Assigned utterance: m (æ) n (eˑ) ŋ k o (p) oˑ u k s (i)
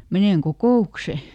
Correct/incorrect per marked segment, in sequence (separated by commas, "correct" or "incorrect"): incorrect, correct, incorrect, incorrect